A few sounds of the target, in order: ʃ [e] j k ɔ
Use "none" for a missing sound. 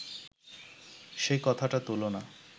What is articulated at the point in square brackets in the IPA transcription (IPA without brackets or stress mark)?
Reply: e